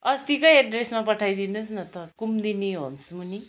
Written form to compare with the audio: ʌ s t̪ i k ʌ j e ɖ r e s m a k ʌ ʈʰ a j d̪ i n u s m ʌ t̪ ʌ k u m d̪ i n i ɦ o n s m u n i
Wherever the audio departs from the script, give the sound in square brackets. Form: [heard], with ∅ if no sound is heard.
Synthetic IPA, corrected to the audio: ʌ s t̪ i k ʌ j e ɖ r e s m a [p] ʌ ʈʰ a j d̪ i n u s [n] ʌ t̪ ʌ k u m d̪ i n i ɦ o n s m u n i